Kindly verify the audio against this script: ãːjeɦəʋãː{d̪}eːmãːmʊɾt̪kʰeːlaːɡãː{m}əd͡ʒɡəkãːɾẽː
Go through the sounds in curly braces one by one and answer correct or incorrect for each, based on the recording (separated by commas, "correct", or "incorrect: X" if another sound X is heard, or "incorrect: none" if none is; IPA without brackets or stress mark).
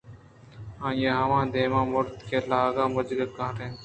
correct, correct